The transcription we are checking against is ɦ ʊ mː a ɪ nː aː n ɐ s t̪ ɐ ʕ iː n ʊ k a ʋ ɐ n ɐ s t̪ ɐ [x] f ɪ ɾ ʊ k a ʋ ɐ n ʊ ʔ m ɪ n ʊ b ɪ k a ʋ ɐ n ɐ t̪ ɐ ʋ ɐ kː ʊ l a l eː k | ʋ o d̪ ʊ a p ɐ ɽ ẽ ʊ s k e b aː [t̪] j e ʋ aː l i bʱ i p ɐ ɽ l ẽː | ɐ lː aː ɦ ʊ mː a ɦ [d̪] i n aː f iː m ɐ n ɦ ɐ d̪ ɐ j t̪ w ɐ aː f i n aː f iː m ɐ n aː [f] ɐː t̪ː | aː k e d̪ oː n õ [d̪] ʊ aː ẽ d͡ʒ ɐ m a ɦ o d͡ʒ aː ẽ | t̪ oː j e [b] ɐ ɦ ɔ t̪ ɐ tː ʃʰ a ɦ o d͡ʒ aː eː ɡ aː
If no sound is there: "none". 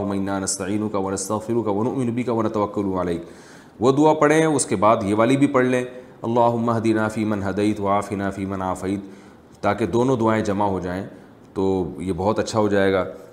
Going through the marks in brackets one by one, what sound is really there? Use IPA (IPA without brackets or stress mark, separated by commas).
ɣ, d̪, d̪, f, d̪, b